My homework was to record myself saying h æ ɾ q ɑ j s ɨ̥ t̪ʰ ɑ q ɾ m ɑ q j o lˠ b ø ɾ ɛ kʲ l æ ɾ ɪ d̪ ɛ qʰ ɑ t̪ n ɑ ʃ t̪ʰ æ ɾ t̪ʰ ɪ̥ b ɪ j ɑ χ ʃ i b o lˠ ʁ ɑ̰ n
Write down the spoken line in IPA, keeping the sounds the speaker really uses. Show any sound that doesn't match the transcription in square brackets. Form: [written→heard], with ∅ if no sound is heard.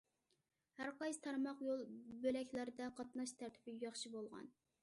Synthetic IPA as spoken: h æ ɾ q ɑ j s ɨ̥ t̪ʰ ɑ [q→∅] ɾ m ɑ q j o lˠ b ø [ɾ→l] ɛ kʲ l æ ɾ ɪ d̪ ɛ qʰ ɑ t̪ n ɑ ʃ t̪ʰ æ ɾ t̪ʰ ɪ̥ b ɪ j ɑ χ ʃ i b o lˠ ʁ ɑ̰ n

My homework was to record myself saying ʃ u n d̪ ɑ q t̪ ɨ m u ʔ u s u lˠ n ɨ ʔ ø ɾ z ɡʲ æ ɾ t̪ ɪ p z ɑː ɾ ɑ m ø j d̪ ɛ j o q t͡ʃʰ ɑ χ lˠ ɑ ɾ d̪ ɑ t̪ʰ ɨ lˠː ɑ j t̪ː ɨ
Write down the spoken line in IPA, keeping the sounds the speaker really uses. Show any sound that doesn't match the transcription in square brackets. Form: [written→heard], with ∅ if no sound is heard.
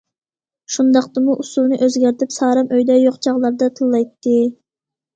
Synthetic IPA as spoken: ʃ u n d̪ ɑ q t̪ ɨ m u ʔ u s u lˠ n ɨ ʔ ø [ɾ→∅] z ɡʲ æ ɾ t̪ ɪ p [z→s] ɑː ɾ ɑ m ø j d̪ ɛ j o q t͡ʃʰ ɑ [χ→ʁ] lˠ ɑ ɾ d̪ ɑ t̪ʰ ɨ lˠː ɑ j t̪ː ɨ

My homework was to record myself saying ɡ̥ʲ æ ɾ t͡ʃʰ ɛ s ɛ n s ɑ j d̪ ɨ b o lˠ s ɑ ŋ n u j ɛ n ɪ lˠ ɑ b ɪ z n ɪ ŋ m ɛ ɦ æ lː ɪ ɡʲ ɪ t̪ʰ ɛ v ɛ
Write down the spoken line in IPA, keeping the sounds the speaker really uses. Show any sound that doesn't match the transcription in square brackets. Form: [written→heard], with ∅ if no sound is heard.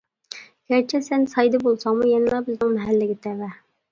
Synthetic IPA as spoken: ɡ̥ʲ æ ɾ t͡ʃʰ ɛ s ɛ n s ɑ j d̪ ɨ b o lˠ s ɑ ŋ [n→m] u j ɛ n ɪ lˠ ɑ b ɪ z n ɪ ŋ m ɛ ɦ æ lː ɪ ɡʲ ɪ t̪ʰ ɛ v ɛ

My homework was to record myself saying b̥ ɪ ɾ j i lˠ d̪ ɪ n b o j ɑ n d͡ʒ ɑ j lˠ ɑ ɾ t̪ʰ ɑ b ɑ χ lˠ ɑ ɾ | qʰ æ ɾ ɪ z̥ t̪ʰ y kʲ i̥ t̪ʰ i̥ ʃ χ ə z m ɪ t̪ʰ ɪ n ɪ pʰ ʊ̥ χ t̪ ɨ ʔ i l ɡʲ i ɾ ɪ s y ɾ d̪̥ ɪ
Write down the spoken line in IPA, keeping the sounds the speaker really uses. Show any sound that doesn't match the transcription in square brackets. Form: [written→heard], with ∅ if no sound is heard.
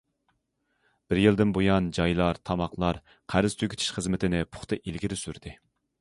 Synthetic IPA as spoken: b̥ ɪ ɾ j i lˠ d̪ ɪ n b o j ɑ n d͡ʒ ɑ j lˠ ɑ ɾ t̪ʰ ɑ [b→m] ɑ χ lˠ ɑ ɾ | qʰ æ ɾ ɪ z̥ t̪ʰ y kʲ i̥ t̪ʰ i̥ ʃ χ ə z m ɪ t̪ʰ ɪ n ɪ pʰ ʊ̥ χ t̪ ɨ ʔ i l ɡʲ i ɾ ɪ s y ɾ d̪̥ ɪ

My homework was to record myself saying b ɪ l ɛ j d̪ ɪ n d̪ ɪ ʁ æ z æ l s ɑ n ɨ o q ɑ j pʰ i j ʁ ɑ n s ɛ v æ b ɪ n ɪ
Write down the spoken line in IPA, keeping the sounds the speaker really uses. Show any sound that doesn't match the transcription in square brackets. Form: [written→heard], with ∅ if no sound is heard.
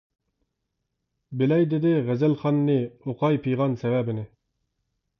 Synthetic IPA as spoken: b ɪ l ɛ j d̪ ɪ [n→∅] d̪ ɪ ʁ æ z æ l [s→χ] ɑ [n→nː] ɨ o q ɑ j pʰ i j ʁ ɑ n s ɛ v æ b ɪ n ɪ

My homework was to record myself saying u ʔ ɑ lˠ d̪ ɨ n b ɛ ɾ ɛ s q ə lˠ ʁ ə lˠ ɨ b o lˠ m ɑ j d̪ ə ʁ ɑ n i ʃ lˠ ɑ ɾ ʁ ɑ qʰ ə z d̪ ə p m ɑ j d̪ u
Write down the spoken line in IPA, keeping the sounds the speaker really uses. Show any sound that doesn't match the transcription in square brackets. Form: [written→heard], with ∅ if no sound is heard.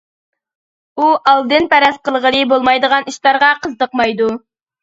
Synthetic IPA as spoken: u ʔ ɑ lˠ d̪ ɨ n [b→p] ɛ ɾ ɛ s q ə lˠ ʁ ə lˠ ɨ b o lˠ m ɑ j d̪ ə ʁ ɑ n i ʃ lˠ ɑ ɾ ʁ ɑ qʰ ə z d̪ ə [p→q] m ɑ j d̪ u

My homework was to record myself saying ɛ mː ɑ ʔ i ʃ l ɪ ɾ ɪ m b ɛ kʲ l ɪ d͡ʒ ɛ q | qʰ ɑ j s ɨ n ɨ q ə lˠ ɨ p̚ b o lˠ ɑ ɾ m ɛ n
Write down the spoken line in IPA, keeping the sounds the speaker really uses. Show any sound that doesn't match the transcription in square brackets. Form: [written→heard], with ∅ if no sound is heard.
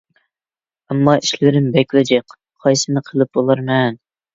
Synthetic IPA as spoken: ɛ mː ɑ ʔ i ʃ l ɪ ɾ ɪ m b ɛ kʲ l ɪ d͡ʒ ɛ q | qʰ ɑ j s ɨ n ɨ [q→qʰ] ə lˠ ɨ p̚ b o lˠ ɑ ɾ m ɛ n

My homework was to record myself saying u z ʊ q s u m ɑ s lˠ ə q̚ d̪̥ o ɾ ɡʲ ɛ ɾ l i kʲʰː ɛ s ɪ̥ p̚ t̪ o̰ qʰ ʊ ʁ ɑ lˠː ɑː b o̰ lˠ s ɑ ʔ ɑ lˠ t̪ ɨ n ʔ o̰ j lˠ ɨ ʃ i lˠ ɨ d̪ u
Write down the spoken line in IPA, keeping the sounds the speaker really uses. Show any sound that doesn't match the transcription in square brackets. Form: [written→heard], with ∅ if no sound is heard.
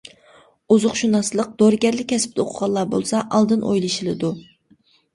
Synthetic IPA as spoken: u z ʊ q [s→ʃ] u [m→n] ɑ s lˠ ə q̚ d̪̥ o ɾ ɡʲ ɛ ɾ l [i→ɪ] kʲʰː ɛ s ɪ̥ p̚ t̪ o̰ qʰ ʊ ʁ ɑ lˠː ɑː b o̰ lˠ s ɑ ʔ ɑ lˠ [t̪→d̪] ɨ n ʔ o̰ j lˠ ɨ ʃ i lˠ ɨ d̪ u

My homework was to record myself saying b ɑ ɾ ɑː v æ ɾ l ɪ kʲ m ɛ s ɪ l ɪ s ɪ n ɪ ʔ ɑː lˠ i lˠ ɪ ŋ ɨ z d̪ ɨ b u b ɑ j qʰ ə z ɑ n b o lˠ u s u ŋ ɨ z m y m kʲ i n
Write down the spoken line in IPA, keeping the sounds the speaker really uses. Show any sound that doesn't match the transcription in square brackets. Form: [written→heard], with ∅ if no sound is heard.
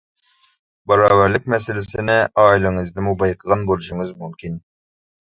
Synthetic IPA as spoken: b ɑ ɾ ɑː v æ ɾ l ɪ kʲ m ɛ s ɪ l ɪ s ɪ n ɪ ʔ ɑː [lˠ→∅] i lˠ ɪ ŋ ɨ z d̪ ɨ [b→m] u b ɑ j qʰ ə [z→ʁ] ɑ n b o lˠ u [s→ʃ] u ŋ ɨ z m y m kʲ i n

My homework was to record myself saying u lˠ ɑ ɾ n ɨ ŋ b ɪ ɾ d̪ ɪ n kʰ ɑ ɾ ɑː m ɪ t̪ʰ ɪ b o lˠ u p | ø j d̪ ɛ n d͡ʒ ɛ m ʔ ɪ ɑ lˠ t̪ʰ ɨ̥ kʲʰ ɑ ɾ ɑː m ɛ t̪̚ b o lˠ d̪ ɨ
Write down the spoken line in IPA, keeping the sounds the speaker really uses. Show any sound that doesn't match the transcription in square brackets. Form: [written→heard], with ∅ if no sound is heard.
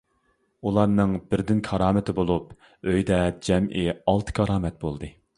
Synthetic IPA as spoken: u lˠ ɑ ɾ n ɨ ŋ b ɪ ɾ d̪ ɪ n kʰ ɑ ɾ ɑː m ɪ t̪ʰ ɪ b o lˠ u p | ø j d̪ ɛ [n→∅] d͡ʒ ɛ m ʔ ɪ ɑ lˠ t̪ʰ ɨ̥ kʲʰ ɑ ɾ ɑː m ɛ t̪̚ b o lˠ d̪ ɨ

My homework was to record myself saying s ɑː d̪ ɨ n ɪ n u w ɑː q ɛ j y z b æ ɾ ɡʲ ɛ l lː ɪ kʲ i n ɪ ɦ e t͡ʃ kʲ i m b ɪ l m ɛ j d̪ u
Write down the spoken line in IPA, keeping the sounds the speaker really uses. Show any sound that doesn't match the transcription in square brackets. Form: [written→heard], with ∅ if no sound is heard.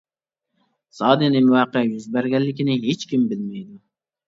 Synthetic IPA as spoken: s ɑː d̪ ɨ n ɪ [n→m] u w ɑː q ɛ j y z b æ ɾ ɡʲ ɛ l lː ɪ kʲ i n ɪ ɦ e t͡ʃ kʲ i m b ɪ l m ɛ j d̪ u

